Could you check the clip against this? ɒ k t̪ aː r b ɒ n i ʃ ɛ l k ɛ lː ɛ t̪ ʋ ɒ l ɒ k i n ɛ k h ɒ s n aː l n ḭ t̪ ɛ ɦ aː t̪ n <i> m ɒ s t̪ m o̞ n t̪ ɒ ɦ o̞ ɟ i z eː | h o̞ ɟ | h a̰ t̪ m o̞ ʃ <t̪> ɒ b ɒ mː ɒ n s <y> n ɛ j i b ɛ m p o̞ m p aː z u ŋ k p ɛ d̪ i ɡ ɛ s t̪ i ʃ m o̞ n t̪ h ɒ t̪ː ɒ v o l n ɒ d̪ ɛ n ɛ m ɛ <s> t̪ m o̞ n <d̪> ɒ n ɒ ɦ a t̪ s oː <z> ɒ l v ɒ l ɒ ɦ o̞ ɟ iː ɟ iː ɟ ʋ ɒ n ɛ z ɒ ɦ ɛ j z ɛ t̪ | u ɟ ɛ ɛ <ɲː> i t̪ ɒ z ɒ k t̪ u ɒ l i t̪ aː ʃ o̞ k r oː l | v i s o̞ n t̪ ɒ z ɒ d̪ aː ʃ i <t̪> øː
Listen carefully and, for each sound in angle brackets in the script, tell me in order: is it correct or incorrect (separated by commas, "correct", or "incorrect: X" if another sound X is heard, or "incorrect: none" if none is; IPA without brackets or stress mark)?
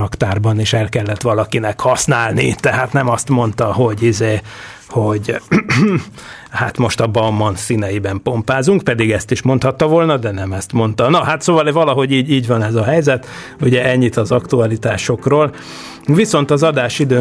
incorrect: ɛ, correct, incorrect: i, correct, incorrect: t̪, incorrect: v, correct, incorrect: d̪